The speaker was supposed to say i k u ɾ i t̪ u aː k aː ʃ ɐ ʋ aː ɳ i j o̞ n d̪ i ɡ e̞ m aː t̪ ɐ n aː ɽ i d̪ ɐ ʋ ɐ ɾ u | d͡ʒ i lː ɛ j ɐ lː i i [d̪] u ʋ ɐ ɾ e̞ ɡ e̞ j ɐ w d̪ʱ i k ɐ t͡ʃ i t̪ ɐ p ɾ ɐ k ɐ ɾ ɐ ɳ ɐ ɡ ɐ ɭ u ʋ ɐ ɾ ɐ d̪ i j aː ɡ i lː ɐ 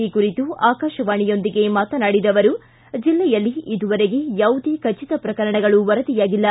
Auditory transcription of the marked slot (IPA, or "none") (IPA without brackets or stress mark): d̪